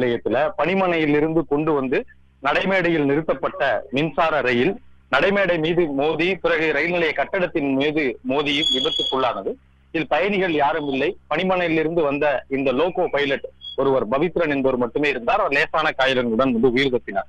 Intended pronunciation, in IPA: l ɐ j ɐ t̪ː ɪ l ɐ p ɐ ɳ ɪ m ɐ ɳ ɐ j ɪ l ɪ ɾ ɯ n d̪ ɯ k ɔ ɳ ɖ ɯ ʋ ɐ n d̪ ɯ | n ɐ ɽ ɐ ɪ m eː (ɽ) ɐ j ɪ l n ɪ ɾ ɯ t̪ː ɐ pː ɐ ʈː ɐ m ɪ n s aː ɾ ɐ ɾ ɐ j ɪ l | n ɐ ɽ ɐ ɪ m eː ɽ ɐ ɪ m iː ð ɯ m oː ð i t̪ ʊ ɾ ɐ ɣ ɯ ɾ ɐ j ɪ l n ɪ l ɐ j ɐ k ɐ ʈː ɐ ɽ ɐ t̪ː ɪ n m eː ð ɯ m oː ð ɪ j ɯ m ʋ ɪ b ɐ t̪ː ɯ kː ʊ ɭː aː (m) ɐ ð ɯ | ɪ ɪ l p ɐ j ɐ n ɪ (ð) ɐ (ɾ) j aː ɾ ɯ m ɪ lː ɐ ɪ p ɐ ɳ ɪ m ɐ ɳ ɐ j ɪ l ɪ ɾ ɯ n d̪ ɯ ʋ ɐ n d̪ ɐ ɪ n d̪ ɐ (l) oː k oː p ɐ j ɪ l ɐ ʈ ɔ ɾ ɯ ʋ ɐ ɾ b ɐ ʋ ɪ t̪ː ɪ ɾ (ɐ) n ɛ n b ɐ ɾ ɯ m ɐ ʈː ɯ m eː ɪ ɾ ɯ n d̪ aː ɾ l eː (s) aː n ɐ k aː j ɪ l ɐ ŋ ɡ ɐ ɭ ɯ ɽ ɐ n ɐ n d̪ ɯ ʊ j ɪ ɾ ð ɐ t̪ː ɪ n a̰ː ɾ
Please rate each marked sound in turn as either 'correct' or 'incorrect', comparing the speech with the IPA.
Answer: correct, incorrect, incorrect, incorrect, correct, correct, correct

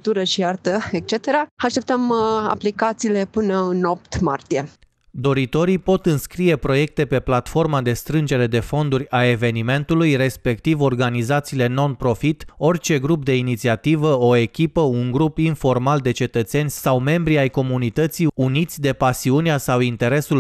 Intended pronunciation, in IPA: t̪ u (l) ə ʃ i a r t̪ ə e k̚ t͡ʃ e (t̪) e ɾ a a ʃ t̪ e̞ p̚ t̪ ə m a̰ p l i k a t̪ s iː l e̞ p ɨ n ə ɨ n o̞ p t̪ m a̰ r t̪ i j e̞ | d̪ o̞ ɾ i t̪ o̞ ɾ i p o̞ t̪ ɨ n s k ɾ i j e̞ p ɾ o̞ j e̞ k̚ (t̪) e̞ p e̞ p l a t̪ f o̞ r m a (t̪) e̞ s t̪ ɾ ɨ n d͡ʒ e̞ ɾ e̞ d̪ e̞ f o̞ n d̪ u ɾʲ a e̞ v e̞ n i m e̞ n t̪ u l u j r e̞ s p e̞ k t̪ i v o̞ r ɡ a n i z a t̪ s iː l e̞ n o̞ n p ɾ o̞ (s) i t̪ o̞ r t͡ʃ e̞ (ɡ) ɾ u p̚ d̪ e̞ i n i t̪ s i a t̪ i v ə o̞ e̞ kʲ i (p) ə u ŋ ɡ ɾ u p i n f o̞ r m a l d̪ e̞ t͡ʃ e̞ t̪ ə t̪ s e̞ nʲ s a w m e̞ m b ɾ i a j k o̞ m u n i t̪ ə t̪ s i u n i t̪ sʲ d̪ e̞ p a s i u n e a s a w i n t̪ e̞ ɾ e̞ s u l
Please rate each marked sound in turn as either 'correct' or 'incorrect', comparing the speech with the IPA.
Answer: incorrect, correct, correct, incorrect, incorrect, correct, correct

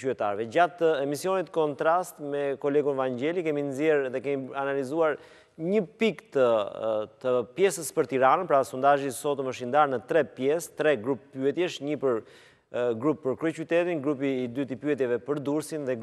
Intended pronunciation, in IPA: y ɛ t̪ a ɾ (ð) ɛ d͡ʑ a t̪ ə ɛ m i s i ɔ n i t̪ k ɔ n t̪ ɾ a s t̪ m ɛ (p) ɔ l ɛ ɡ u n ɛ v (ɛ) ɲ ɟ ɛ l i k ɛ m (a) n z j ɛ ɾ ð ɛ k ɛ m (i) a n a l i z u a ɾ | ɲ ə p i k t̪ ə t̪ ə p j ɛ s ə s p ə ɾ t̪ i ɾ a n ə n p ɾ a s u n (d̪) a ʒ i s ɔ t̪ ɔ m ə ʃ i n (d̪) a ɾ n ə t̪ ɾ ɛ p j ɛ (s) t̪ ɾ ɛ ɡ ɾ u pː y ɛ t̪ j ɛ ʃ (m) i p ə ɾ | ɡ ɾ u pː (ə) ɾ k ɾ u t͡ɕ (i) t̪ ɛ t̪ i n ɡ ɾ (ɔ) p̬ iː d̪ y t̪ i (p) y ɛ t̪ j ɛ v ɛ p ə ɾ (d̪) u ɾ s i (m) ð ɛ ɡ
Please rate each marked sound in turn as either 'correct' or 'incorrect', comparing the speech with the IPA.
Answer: incorrect, incorrect, incorrect, incorrect, correct, correct, correct, correct, incorrect, correct, incorrect, incorrect, correct, correct, incorrect

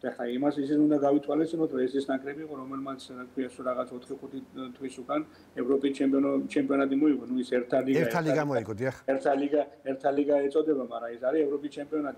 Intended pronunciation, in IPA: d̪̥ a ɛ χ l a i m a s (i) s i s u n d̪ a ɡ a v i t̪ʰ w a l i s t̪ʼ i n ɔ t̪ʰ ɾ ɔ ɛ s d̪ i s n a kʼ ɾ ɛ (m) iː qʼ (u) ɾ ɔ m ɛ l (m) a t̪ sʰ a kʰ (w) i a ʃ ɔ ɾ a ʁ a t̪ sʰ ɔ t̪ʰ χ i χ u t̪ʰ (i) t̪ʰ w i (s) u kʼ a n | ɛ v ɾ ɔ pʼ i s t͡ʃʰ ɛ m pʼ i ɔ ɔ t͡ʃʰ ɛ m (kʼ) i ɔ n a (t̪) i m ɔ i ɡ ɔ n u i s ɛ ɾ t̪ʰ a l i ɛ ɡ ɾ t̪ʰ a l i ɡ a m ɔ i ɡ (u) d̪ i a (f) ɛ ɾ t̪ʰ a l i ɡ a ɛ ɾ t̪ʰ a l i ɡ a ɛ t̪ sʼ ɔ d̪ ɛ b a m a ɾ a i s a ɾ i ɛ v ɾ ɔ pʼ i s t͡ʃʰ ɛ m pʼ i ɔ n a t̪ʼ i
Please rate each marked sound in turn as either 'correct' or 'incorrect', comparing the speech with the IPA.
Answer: correct, incorrect, incorrect, correct, correct, correct, correct, incorrect, incorrect, incorrect, incorrect

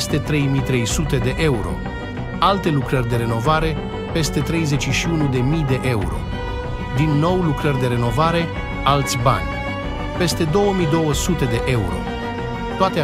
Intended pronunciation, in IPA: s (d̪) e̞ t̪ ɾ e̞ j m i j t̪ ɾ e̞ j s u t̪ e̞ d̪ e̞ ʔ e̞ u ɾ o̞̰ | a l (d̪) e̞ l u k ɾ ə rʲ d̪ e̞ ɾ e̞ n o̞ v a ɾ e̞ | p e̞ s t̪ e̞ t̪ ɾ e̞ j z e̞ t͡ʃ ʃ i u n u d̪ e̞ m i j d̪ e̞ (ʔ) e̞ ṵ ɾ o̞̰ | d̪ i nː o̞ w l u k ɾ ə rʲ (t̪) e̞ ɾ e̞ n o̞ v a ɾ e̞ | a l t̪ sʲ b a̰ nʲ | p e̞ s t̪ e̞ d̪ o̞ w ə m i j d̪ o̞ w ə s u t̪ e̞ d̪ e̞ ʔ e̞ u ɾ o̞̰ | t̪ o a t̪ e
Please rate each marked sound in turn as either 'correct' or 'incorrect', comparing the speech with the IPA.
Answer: incorrect, incorrect, correct, incorrect

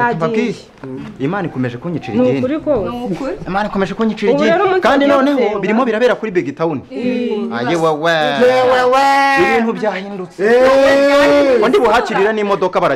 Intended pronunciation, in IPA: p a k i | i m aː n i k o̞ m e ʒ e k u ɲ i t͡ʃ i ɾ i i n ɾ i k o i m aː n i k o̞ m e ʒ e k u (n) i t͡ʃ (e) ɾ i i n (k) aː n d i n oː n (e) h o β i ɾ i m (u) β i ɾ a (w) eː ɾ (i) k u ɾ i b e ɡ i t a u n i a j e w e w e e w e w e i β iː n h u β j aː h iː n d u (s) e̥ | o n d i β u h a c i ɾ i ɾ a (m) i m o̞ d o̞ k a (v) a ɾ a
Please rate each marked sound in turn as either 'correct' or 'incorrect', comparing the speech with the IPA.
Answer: incorrect, incorrect, correct, correct, incorrect, incorrect, incorrect, incorrect, incorrect, incorrect

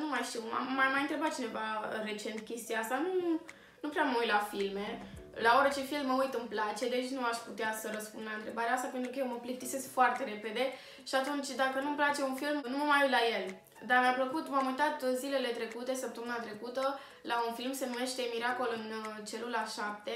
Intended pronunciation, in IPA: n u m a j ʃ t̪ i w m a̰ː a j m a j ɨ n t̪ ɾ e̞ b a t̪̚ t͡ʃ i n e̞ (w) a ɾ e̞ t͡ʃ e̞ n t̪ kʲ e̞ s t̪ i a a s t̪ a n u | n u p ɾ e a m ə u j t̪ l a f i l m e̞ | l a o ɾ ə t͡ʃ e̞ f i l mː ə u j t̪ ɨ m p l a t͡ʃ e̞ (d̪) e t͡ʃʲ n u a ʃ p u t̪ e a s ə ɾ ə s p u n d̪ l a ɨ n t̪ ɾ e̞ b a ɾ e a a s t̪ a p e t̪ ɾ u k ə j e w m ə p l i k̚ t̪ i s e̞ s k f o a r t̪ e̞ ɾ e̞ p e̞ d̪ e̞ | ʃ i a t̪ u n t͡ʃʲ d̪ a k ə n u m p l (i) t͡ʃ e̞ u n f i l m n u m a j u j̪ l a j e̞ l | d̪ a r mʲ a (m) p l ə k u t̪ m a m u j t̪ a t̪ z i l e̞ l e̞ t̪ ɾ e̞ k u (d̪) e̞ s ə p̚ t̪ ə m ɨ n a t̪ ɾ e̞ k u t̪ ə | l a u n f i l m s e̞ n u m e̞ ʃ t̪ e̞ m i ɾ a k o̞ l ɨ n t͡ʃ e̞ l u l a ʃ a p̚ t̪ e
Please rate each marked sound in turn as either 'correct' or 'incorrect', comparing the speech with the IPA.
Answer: incorrect, correct, incorrect, correct, incorrect

